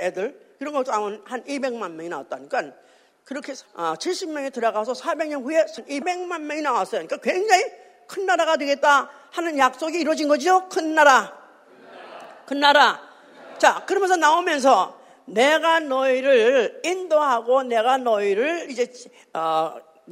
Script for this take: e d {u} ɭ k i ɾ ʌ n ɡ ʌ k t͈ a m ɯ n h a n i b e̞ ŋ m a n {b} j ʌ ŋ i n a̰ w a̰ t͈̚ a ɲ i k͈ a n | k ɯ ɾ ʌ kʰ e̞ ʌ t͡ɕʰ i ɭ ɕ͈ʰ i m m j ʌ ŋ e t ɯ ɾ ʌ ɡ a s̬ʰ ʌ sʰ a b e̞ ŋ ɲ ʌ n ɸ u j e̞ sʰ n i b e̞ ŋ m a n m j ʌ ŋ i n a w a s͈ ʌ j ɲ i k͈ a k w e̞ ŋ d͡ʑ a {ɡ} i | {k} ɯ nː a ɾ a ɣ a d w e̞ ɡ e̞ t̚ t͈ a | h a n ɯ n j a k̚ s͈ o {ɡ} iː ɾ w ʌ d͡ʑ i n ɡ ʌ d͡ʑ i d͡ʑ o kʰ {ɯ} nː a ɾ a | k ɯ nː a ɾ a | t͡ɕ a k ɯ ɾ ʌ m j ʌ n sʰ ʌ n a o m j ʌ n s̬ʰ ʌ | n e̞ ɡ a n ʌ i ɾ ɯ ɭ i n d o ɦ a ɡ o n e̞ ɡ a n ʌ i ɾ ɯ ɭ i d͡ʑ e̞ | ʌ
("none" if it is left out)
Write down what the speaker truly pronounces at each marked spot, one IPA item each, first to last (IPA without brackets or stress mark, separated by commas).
ɯ, m, ŋ, kʰ, ɡ, ɯ